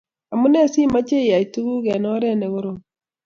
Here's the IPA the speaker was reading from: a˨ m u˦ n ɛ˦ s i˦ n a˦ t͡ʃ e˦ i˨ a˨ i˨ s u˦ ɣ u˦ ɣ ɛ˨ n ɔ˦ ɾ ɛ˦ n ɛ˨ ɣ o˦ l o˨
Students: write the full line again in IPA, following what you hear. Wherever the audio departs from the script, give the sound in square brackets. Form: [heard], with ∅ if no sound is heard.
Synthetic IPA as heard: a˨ m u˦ n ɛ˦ s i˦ [m] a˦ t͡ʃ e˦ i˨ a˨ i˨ [t] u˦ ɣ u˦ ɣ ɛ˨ n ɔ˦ ɾ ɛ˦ n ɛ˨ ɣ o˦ [ɾ] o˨

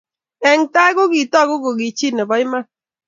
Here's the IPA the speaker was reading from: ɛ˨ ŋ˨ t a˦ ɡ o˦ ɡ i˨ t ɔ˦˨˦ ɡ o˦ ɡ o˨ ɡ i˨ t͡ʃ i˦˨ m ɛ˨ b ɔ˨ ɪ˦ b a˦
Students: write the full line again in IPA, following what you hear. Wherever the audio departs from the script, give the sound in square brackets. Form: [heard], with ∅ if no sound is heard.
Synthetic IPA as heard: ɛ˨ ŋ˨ t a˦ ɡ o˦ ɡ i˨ t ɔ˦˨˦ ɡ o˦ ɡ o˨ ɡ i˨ t͡ʃ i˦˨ [n] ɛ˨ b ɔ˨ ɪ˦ [m] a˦

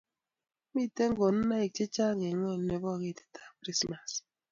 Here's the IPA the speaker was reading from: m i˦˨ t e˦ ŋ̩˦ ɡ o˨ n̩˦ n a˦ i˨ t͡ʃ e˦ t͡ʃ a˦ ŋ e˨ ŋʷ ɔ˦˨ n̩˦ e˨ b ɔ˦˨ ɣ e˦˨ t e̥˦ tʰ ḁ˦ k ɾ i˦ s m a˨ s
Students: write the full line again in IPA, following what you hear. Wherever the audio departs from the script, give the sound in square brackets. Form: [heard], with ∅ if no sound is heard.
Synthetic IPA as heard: m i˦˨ t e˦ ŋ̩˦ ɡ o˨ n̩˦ n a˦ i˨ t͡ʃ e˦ t͡ʃ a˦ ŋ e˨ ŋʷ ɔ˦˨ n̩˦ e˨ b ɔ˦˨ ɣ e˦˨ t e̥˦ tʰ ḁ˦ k ɾ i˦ s m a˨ s

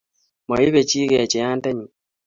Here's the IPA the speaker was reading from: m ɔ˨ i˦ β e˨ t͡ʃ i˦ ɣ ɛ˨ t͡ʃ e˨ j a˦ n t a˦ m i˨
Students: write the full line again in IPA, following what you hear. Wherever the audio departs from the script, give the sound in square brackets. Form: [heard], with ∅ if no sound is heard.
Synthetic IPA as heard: m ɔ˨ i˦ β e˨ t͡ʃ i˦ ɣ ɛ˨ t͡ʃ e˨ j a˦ n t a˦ [ɲ] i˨

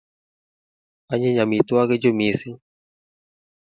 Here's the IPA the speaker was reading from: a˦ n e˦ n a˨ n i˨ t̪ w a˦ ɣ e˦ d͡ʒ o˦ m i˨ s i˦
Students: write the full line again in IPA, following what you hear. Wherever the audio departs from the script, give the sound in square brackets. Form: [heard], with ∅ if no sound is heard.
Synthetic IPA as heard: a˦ [ɲ] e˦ [ɲ] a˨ [m] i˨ t̪ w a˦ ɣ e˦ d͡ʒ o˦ m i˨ s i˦

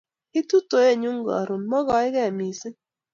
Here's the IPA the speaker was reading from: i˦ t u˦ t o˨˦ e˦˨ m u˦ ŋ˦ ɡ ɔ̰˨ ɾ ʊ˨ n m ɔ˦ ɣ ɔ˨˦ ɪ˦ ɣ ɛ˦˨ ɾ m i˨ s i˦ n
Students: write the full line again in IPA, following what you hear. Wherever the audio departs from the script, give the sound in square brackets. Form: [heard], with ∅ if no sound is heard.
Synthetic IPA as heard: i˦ t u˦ t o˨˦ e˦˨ [ɲ] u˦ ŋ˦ ɡ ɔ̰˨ ɾ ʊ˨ n m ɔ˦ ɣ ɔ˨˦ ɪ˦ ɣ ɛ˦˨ [∅] m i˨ s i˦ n

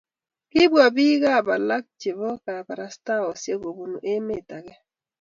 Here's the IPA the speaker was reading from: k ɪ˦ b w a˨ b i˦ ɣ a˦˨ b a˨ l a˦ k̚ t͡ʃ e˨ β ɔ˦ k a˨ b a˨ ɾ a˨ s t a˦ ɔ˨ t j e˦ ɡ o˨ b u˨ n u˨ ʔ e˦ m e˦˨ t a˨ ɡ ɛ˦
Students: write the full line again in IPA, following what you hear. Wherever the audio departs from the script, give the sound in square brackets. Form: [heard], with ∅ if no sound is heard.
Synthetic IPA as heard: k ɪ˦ b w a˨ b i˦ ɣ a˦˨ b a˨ l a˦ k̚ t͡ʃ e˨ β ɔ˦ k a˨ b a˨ ɾ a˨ s t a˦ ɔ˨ [s] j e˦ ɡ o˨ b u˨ n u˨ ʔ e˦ m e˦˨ t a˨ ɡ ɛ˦

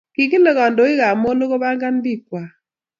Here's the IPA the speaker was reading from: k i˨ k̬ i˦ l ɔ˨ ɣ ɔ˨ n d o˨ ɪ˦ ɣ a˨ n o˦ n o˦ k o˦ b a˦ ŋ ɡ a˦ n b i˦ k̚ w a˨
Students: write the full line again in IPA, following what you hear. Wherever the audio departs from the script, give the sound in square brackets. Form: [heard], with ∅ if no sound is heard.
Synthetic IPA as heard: k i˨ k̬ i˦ l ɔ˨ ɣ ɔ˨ n d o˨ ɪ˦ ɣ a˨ [m] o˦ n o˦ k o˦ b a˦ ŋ ɡ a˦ n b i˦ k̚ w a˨

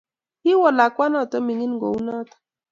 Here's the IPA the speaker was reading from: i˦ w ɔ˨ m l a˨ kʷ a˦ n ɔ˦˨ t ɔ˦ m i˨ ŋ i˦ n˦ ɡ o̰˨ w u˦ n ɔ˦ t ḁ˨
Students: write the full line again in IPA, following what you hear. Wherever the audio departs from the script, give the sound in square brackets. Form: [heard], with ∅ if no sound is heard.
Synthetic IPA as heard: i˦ w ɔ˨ [∅] l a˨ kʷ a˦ n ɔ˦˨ t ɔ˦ m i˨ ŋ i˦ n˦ ɡ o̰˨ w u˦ n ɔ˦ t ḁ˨

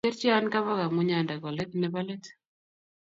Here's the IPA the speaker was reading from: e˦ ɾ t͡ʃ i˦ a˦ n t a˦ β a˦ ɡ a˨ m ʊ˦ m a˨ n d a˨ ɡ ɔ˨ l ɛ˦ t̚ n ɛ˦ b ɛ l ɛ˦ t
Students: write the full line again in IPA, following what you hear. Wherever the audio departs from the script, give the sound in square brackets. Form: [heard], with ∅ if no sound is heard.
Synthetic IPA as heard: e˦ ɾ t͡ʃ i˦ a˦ n [k] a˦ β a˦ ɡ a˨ m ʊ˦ [ɲ] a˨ n d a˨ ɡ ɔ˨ l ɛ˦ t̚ n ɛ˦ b [a] l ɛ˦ t

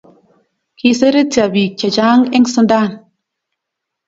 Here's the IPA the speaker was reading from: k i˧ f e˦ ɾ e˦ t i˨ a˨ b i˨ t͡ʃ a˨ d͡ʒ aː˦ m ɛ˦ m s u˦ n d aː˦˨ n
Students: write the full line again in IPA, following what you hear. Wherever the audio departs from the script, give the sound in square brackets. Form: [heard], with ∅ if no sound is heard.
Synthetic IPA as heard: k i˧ [s] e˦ ɾ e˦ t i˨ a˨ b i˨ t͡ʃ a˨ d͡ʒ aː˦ [ŋ] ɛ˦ [ŋ] s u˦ n d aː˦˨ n

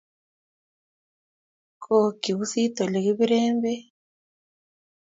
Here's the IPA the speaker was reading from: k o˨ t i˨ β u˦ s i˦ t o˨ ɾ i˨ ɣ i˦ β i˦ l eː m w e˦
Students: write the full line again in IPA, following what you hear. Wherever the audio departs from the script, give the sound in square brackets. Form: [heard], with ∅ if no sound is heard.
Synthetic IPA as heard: k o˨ [k] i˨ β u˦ s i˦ t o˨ [l] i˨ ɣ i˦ β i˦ [ɾ] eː m [b] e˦

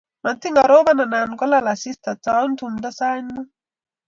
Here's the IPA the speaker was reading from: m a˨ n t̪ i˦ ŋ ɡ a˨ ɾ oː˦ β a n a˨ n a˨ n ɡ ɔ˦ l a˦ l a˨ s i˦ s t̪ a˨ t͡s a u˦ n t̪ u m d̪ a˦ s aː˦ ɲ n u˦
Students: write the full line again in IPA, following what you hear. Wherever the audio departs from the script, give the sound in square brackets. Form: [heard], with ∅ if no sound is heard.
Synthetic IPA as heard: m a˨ n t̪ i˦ ŋ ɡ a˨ ɾ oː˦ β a n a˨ n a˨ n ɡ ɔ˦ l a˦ l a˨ s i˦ s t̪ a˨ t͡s a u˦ n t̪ u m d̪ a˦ s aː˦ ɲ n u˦

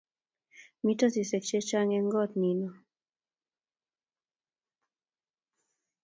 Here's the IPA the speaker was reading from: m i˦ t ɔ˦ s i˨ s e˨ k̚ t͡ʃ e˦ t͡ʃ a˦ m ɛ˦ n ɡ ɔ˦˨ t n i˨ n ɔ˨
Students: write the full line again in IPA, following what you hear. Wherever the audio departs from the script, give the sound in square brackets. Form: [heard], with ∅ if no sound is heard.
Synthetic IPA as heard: m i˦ t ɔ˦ s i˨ s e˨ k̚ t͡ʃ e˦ t͡ʃ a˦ [ŋ] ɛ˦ [ŋ] ɡ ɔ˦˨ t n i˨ n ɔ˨

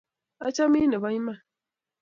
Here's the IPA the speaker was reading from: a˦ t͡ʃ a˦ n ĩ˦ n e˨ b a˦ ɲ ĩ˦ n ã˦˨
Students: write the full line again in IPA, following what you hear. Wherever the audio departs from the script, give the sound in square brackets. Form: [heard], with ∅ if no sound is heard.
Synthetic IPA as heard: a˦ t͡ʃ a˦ [m] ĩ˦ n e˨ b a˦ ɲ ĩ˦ [m] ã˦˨

